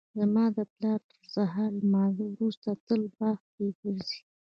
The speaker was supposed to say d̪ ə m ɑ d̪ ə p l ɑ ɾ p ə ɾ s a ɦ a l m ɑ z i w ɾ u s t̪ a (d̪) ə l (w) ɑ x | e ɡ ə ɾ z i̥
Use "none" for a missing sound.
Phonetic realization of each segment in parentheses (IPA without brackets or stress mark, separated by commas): t̪, b